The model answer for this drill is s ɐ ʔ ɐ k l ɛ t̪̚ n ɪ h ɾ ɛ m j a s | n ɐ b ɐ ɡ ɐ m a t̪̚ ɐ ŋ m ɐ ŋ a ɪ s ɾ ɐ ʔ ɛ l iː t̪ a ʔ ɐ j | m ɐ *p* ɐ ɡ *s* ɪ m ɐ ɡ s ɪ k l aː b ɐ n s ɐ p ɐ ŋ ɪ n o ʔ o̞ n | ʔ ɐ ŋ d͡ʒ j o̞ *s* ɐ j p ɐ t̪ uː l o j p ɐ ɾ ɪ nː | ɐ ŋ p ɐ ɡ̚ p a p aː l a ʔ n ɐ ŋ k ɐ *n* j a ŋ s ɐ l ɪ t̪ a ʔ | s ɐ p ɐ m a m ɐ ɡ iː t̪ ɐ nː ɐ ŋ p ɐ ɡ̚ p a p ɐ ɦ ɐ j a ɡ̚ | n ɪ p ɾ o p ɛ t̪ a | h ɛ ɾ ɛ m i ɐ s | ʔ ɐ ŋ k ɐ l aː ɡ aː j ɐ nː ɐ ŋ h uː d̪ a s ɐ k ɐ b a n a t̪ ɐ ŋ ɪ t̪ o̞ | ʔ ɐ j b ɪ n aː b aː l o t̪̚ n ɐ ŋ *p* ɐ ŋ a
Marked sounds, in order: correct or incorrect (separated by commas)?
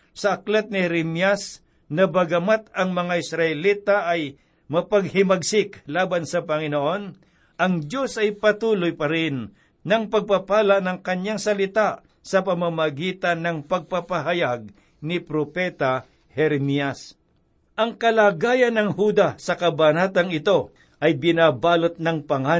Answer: correct, incorrect, correct, incorrect, correct